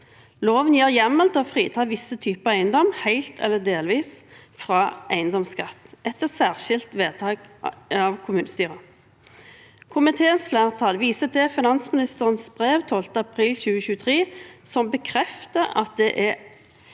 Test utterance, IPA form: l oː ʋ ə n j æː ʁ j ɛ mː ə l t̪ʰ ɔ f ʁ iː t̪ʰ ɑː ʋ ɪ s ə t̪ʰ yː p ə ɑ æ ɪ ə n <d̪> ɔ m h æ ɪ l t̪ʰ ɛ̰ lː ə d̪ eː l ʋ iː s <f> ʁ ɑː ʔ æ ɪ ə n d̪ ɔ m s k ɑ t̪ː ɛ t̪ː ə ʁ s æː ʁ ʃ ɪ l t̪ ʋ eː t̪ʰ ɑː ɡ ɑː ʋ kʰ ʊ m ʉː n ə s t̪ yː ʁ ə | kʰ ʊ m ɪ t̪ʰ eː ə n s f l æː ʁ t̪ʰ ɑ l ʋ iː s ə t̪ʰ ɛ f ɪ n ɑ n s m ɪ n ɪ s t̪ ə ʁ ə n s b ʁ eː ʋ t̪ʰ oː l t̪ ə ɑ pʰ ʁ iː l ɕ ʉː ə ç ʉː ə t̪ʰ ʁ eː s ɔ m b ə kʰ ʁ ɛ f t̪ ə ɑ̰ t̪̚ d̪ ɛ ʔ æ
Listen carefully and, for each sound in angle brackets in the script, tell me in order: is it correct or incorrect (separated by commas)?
correct, correct